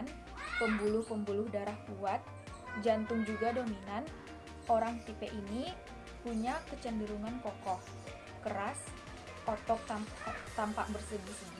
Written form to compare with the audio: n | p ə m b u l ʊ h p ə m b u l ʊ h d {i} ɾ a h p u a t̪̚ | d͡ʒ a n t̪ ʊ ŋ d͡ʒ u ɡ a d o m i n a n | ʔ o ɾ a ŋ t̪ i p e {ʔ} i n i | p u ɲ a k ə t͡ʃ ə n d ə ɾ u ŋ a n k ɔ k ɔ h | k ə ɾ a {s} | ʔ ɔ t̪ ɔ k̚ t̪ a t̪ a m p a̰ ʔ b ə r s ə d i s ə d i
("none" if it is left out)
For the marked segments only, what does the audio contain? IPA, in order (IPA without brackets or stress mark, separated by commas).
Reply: a, ʔ, s